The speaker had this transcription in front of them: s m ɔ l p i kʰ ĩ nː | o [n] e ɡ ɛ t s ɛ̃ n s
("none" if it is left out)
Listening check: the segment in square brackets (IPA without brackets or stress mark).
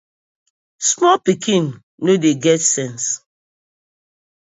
d